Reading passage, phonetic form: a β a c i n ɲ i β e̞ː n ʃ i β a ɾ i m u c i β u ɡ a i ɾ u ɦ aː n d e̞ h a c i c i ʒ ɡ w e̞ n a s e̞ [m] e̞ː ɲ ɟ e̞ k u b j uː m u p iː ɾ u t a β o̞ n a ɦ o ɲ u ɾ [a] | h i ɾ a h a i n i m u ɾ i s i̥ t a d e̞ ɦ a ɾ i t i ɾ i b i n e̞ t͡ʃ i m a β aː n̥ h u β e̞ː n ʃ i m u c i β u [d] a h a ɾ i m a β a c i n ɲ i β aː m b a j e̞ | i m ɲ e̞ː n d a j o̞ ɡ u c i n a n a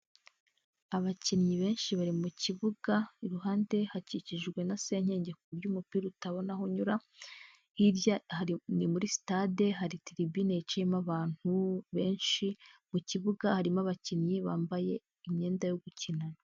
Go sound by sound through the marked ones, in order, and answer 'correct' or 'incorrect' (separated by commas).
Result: incorrect, correct, incorrect